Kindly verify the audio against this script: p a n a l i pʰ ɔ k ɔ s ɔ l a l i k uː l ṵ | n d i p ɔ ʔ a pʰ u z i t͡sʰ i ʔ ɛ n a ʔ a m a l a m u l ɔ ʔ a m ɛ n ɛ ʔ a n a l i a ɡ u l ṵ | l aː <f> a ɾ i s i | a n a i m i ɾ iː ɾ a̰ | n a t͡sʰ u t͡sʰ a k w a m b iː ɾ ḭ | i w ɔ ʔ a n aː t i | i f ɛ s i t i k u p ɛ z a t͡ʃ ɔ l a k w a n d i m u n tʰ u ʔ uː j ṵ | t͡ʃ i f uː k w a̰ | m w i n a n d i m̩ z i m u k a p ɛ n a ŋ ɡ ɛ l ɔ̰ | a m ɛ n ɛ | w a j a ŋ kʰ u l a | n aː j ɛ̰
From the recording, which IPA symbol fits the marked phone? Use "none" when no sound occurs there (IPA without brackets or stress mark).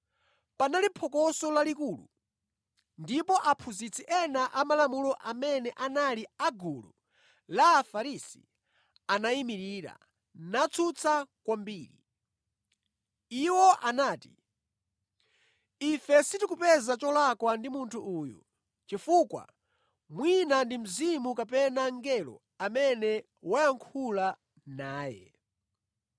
f